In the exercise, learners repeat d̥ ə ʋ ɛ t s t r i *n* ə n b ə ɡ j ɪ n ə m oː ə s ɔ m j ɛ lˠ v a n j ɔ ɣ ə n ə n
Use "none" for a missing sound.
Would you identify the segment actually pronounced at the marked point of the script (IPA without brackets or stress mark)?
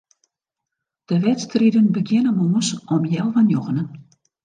d